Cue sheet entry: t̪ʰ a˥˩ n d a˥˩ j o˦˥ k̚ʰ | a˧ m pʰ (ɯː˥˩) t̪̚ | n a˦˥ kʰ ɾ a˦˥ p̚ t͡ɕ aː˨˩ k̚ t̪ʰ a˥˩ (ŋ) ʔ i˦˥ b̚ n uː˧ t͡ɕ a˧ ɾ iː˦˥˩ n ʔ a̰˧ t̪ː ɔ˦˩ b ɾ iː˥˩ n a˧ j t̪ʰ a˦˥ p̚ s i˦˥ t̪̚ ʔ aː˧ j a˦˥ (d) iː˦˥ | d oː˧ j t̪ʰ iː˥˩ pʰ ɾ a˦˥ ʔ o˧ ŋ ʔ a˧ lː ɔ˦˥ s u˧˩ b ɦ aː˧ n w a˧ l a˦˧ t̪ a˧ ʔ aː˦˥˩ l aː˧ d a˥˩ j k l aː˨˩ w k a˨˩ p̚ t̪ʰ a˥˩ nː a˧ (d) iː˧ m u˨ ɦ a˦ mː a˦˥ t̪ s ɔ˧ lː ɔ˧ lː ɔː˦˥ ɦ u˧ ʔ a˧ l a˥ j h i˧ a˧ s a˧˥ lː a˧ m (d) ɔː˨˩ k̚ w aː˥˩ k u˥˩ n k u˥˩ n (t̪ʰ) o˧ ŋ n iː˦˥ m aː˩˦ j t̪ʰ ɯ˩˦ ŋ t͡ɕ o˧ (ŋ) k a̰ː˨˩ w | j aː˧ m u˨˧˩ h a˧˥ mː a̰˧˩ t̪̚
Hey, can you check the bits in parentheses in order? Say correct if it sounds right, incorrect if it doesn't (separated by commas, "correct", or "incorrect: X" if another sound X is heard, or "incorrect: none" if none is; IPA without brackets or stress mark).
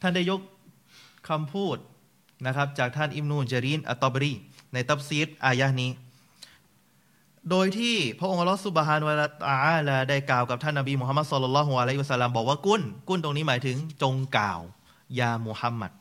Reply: incorrect: uː˥˩, incorrect: n, incorrect: n, incorrect: b, incorrect: b, incorrect: t̪, correct